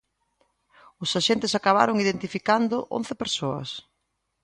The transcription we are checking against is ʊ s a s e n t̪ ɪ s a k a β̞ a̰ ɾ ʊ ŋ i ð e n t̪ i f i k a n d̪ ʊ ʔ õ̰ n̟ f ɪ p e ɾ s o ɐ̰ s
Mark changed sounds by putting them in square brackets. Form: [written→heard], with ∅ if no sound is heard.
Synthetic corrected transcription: ʊ s a [s→ʃ] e n t̪ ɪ s a k a β̞ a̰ ɾ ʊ ŋ i ð e n t̪ i f i k a n d̪ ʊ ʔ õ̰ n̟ [f→θ] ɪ p e ɾ s o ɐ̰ s